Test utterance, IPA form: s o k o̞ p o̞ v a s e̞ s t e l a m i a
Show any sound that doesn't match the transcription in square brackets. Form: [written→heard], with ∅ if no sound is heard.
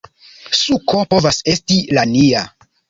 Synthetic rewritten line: s [o→u] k o̞ p o̞ v a s e̞ s t [e→i] l a [m→n] i a